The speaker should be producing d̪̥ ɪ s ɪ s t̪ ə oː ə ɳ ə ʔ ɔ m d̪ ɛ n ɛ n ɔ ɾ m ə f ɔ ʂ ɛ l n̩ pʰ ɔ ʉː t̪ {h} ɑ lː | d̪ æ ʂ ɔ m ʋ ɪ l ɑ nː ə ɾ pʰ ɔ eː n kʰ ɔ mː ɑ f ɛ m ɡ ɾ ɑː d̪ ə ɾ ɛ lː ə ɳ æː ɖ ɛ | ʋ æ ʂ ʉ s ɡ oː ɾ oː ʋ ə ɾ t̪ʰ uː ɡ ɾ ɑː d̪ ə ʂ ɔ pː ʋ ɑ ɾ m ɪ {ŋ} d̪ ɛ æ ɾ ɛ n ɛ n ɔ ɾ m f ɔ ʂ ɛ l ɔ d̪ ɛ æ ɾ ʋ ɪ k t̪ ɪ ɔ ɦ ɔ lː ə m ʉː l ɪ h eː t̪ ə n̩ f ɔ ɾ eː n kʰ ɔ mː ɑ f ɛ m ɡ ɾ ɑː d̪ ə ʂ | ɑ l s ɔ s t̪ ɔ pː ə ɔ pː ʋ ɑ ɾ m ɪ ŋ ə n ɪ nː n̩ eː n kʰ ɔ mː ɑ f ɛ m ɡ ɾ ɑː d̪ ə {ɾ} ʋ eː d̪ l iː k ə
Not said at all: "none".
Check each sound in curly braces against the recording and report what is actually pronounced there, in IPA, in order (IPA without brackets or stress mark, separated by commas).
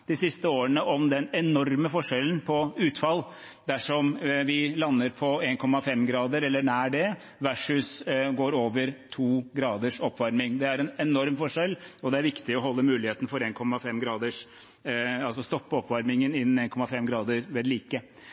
f, ŋ, ɾ